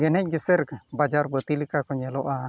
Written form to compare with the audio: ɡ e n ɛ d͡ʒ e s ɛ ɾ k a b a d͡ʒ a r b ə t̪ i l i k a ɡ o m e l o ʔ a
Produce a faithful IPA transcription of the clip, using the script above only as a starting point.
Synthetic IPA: ɡ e n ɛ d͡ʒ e s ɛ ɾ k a b a d͡ʒ a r b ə t̪ i l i k a k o ɲ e l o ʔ a